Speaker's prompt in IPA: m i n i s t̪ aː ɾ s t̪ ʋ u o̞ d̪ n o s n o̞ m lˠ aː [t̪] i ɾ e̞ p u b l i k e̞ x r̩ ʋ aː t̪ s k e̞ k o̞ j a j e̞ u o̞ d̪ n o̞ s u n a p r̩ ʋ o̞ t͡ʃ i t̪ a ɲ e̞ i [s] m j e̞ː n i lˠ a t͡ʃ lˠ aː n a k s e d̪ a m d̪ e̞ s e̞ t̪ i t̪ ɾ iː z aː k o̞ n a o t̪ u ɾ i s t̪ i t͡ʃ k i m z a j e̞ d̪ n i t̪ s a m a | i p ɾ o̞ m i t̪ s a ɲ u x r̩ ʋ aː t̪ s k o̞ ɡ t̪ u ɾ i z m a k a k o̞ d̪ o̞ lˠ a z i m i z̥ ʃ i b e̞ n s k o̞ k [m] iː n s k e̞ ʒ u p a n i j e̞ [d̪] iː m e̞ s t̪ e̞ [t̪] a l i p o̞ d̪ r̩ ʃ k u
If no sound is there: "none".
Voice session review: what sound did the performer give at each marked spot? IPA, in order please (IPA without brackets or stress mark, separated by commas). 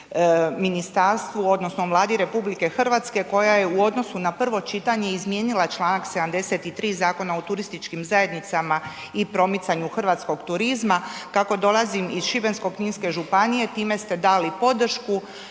d̪, z, ɲ, t̪, d̪